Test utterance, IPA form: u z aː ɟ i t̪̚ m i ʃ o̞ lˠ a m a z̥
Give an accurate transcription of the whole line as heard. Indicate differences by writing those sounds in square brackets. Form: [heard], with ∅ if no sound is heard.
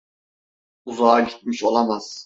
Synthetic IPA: u z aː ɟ i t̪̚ m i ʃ o̞ lˠ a m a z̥